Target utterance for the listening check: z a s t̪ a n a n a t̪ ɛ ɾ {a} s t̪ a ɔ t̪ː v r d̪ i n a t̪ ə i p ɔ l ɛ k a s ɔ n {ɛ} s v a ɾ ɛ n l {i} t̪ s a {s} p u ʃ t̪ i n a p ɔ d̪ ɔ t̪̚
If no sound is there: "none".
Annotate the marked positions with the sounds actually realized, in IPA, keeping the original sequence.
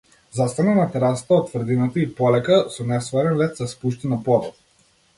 a, ɛ, ɛ, s

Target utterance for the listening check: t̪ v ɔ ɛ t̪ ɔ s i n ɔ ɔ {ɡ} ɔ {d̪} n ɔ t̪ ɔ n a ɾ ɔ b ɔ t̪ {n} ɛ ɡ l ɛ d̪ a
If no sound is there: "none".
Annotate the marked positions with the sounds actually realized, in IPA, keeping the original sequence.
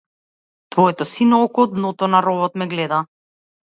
k, d̪, m

